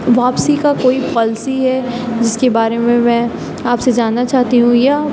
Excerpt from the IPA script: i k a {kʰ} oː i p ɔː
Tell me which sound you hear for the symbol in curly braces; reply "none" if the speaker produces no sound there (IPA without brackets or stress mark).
k